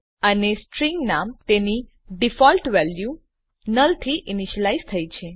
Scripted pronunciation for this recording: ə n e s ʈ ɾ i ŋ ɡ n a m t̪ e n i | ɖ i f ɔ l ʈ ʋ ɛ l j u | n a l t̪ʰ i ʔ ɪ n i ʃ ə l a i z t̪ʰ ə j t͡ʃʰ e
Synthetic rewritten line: ə n e s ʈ ɾ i ŋ ɡ n a m t̪ e n i | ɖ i f ɔ l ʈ ʋ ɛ l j u | n ə l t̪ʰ i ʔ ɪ n i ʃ ə l a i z t̪ʰ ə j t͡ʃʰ e